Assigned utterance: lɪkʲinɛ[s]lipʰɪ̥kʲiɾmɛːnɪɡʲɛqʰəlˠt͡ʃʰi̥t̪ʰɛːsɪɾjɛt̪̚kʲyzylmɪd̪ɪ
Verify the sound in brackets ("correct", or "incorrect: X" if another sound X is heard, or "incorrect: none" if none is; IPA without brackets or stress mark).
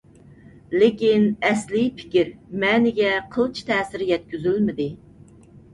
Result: correct